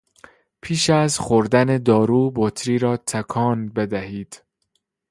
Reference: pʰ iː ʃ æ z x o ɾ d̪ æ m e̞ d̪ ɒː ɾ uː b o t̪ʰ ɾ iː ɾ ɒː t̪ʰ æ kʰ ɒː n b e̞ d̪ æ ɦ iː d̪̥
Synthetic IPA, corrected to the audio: pʰ iː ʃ æ z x o ɾ d̪ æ n e̞ d̪ ɒː ɾ uː b o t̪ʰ ɾ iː ɾ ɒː t̪ʰ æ kʰ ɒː n b e̞ d̪ æ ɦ iː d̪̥